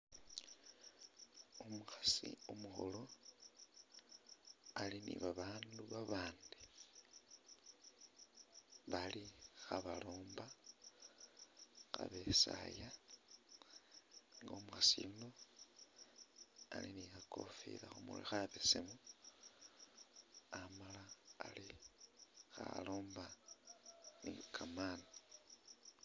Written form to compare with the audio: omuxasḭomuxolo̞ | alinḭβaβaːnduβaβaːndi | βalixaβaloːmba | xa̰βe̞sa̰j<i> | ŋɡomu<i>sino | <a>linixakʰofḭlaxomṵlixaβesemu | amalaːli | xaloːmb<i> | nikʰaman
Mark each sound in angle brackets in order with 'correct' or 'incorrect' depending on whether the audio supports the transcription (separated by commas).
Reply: incorrect, incorrect, correct, incorrect